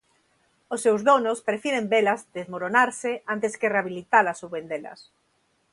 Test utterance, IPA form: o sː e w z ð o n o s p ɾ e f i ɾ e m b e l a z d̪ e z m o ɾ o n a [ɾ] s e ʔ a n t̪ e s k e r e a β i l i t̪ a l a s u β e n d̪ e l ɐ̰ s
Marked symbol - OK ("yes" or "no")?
yes